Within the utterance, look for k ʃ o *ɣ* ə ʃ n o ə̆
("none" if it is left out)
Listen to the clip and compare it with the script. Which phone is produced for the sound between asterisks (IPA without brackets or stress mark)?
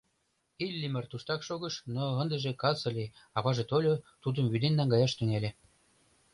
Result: ɣ